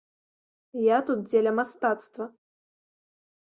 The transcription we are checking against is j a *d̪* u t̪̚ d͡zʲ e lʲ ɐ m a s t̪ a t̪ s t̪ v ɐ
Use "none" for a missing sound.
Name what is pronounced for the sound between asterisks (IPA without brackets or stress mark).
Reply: t̪